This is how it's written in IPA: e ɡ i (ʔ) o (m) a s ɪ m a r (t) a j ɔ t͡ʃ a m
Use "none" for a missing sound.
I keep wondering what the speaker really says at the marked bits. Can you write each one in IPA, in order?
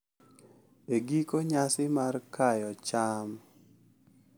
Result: k, ɲ, k

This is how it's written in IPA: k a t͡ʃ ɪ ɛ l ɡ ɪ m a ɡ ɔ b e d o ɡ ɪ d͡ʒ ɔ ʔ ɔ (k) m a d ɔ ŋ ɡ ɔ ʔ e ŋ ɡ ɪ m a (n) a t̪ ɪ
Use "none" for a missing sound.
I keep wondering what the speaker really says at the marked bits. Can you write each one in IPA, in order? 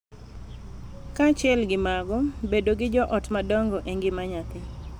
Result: t, ɲ

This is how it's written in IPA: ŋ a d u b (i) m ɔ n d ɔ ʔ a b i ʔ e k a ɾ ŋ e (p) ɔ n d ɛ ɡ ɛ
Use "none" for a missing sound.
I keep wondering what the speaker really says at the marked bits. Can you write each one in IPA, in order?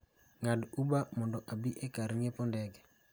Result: a, p

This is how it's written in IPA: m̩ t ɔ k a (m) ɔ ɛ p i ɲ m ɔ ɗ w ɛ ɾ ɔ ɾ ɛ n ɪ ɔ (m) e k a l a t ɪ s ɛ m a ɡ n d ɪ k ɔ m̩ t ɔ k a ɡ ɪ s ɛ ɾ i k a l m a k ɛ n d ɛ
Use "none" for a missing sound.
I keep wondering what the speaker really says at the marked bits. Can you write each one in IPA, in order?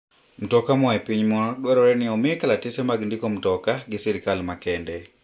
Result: m, m

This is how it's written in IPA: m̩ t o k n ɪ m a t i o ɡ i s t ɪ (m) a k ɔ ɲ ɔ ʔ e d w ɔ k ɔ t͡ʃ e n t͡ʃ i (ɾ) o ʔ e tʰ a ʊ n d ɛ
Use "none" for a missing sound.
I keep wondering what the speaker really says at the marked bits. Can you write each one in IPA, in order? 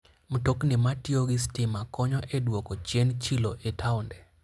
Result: m, l

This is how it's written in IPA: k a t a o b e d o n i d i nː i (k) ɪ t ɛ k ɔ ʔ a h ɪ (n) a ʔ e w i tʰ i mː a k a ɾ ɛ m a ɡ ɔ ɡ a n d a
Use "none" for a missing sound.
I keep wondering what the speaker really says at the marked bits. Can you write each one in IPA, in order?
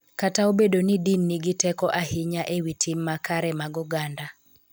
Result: ɡ, ɲ

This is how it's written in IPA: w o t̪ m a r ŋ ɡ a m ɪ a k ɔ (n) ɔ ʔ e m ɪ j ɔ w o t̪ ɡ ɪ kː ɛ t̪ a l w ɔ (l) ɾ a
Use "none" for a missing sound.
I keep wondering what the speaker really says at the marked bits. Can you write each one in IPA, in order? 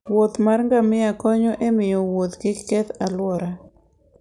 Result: ɲ, none

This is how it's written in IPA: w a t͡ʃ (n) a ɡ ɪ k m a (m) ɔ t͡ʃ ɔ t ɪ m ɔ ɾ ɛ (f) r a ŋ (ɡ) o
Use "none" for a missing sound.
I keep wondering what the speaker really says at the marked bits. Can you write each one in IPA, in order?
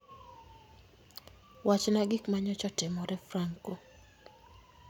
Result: n, ɲ, f, k

